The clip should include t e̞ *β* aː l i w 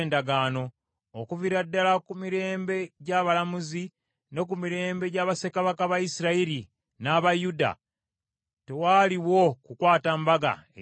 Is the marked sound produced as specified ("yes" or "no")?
no